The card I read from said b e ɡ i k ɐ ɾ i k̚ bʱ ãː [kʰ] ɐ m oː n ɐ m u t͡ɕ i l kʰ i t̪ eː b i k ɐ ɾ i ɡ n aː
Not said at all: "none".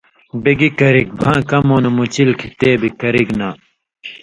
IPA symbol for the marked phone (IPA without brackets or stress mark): k